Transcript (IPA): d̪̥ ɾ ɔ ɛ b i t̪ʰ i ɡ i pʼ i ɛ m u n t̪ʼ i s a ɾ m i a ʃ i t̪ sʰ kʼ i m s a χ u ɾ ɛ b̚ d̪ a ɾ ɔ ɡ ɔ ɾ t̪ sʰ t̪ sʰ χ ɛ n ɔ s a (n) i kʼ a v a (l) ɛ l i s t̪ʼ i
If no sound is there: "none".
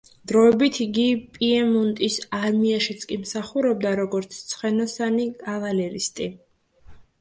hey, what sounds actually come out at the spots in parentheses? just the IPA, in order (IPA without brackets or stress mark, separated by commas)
n, l